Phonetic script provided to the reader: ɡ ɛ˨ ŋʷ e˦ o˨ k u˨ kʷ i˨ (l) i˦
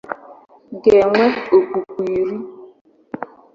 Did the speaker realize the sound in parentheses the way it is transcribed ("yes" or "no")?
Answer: no